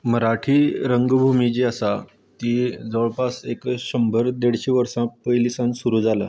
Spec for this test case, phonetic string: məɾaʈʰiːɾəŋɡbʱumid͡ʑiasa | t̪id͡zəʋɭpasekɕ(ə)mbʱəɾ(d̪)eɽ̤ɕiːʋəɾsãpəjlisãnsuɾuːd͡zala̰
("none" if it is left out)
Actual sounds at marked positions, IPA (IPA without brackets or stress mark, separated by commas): ə, d̪